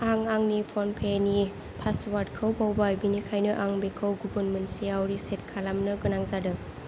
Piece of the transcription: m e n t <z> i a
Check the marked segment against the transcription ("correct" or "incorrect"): incorrect